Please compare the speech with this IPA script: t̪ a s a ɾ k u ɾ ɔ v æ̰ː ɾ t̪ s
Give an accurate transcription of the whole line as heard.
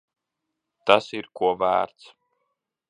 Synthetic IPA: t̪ a s i ɾ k u ɔ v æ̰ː ɾ t̪ s